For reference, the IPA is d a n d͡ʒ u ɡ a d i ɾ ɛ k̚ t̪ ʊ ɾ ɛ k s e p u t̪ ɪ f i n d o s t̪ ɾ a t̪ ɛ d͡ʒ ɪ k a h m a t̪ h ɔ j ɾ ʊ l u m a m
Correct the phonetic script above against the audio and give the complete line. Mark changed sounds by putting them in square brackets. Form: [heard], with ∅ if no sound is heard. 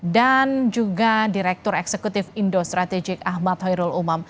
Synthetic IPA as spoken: d a n d͡ʒ u ɡ a d i ɾ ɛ k̚ t̪ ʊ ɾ ɛ k s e [k] u t̪ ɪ f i n d o s t̪ ɾ a t̪ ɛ d͡ʒ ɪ k a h m a t̪ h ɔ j ɾ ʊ l u m a m

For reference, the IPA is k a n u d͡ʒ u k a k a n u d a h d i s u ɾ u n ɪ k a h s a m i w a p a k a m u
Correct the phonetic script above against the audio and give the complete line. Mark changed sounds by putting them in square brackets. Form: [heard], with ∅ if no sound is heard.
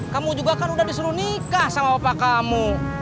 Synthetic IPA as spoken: k a [m] u d͡ʒ u [ɡ] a k a n u d a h d i s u ɾ u n [i] k a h s a m [a] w a p a k a m u

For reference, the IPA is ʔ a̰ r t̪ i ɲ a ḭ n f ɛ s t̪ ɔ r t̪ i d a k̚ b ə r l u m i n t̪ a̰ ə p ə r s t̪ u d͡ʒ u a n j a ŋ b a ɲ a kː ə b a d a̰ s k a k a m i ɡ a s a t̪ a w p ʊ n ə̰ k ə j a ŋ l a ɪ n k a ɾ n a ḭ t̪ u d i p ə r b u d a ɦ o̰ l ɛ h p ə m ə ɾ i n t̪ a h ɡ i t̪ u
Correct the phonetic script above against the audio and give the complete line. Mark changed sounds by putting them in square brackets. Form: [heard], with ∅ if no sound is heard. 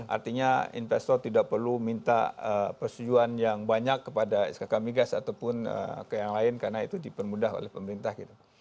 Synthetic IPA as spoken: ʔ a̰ r t̪ i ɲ a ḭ n f ɛ s t̪ ɔ r t̪ i d a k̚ [p] ə r l u m i n t̪ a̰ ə p ə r s t̪ u d͡ʒ u a n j a ŋ b a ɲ a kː ə [p] a d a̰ s k a k a m i ɡ a s a t̪ a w p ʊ n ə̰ k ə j a ŋ l a ɪ n k a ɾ n a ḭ t̪ u d i p ə r [m] u d a ɦ o̰ l ɛ h p ə m ə ɾ i n t̪ a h ɡ i t̪ u

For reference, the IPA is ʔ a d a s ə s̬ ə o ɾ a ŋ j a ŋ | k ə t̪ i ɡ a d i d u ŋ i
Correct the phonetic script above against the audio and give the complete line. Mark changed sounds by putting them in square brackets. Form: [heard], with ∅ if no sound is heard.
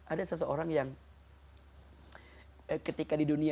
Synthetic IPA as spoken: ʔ a d a s ə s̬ ə o ɾ a ŋ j a ŋ | k ə t̪ i [k] a d i d u [n] i

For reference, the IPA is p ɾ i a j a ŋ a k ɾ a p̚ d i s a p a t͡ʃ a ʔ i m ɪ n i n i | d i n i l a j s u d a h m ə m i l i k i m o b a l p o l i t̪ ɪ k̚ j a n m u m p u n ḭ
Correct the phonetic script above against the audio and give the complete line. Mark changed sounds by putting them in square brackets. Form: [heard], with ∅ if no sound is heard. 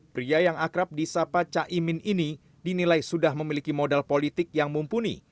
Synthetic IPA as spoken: p ɾ i a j a ŋ a k ɾ a p̚ d i s a p a t͡ʃ a ʔ i m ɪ n i n i | d i n i l a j s u d a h m ə m i l i k i m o [d] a l p o l i t̪ ɪ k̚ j a [ŋ] m u m p u n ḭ

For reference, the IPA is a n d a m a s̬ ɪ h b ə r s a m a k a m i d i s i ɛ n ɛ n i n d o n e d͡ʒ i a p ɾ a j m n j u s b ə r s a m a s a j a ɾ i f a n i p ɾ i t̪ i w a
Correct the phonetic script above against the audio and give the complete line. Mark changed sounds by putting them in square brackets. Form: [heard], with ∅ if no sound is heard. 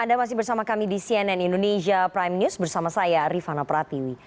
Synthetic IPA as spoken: a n d a m a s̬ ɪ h b ə r s a m a k a m i d i s i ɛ n ɛ n i n d o n e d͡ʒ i a p ɾ a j m n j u s b ə r s a m a s a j a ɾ i f a n [a] p ɾ [a] t̪ i w [i]

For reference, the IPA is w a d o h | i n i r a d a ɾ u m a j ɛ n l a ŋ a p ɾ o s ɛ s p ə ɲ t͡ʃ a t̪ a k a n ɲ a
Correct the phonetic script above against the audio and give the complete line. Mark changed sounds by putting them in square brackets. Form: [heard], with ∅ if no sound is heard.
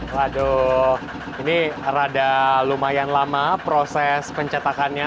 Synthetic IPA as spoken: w a d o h | i n i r a d a [l] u m a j [a] n l a [m] a p ɾ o s ɛ s p ə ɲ t͡ʃ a t̪ a k a n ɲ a

